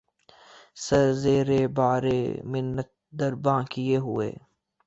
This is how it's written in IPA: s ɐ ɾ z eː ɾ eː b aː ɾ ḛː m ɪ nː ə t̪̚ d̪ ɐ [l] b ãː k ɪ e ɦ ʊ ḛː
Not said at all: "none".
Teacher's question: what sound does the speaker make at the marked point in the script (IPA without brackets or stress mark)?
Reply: ɾ